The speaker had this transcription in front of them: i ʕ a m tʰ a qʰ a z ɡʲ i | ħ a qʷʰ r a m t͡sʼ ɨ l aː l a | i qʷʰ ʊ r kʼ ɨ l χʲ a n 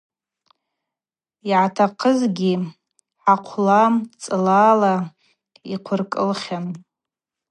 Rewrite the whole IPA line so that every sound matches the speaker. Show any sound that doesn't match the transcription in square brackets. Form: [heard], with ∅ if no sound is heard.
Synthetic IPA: i ʕ a [∅] tʰ a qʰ [ə] z ɡʲ i | ħ a qʷʰ [l] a m t͡sʼ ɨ l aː l a | i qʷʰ ʊ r kʼ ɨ l χʲ a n